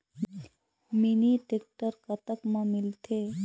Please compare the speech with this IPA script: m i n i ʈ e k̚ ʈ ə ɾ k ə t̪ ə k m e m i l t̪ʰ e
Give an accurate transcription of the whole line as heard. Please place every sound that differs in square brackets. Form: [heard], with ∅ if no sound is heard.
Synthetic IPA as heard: m i n i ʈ e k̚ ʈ ə ɾ k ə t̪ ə k m [a] m i l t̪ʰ e